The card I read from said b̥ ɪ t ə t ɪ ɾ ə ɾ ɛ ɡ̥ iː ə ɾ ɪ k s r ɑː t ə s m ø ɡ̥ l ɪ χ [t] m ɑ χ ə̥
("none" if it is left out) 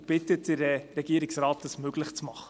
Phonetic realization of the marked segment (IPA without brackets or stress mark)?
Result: t͡s